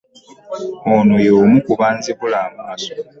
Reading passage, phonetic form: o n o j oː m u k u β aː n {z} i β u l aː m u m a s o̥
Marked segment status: correct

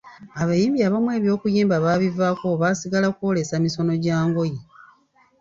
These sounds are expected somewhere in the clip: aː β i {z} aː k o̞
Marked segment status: incorrect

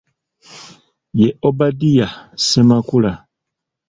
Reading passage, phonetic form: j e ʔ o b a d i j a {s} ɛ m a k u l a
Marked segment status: correct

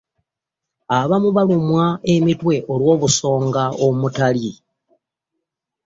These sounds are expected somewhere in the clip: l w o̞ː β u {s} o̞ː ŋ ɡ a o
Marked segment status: correct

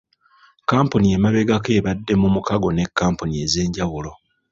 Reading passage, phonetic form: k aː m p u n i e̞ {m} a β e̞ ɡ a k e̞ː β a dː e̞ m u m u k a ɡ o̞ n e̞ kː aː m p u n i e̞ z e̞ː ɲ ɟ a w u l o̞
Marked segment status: correct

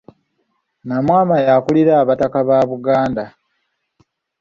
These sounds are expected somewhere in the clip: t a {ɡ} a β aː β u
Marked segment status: incorrect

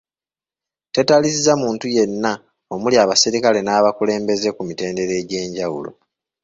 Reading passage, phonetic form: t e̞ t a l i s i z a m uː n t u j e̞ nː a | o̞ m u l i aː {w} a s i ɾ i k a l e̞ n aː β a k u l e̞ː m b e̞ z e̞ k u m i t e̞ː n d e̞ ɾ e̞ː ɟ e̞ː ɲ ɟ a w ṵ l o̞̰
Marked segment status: incorrect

